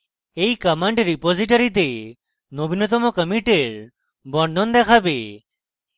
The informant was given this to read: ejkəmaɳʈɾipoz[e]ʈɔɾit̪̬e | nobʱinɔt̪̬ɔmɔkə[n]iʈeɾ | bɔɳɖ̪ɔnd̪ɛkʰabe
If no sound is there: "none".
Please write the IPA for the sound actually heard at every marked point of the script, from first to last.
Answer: i, m

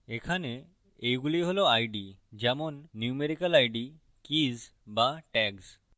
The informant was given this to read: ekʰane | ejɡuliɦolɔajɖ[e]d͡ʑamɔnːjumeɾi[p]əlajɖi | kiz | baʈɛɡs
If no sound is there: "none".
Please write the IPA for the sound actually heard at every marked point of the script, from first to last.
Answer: i, k

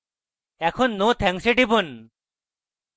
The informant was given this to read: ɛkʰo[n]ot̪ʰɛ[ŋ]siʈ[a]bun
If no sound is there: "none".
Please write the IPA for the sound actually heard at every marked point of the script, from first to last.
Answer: nː, ŋ, i

